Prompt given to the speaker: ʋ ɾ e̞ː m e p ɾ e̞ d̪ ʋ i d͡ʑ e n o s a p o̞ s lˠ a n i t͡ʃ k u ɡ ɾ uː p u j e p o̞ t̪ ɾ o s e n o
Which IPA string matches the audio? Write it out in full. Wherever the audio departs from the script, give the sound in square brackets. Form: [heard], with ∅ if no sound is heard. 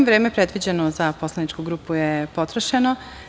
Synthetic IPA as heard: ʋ ɾ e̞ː m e p ɾ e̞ d̪ ʋ i d͡ʑ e n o [z] a p o̞ s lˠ a n i t͡ʃ k u ɡ ɾ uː p u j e p o̞ t̪ ɾ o [ʃ] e n o